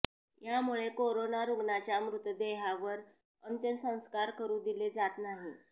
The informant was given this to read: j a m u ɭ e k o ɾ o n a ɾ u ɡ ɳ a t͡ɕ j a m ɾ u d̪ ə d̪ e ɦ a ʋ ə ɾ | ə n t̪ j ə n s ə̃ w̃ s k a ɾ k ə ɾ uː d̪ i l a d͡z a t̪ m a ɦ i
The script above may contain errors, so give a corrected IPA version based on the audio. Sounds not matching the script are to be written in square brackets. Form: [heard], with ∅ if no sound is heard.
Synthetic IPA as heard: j a m u ɭ e k o ɾ o n a ɾ u ɡ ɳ a t͡ɕ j a m ɾ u [t̪] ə d̪ e ɦ a ʋ ə ɾ | ə n t̪ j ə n s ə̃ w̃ s k a ɾ k ə ɾ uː d̪ i l [e] d͡z a t̪ [n] a ɦ i